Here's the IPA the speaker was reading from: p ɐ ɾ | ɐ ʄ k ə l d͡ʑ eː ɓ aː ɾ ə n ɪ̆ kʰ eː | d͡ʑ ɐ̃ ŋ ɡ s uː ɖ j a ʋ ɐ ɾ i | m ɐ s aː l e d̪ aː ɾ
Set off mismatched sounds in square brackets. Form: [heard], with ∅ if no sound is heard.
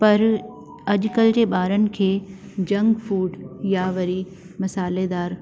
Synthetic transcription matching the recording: p ɐ ɾ | ɐ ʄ k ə l d͡ʑ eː ɓ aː ɾ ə n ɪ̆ kʰ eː | d͡ʑ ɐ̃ ŋ ɡ [f] uː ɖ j a ʋ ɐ ɾ i | m ɐ s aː l e d̪ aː ɾ

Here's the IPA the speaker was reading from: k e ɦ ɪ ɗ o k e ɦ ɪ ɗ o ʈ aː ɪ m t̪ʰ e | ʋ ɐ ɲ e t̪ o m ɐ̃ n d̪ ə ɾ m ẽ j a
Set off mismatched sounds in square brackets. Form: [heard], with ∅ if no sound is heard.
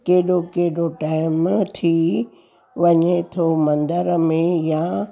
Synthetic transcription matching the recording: k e ɦ ɪ ɗ o k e ɦ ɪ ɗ o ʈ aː ɪ m t̪ʰ [i] | ʋ ɐ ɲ e [t̪ʰ] o m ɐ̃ n d̪ ə ɾ m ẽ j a

